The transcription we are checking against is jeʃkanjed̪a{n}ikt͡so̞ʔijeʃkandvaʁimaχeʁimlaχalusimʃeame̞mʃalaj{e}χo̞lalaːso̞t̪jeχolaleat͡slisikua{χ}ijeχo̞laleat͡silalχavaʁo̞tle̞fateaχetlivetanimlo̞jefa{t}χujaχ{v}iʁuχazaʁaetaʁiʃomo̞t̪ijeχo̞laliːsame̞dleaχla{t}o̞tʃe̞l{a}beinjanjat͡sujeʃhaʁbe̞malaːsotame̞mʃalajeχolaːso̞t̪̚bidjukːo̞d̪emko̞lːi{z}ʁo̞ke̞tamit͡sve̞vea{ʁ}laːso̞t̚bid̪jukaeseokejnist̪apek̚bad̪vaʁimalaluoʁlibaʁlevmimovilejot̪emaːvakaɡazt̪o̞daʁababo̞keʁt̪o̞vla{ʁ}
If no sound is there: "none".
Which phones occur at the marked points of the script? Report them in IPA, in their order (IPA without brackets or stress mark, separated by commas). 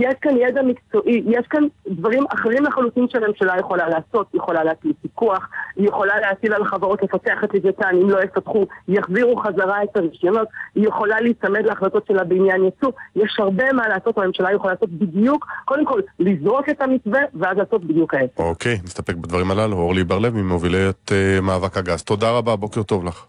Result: m, e, χ, t, z, t, a, z, z, χ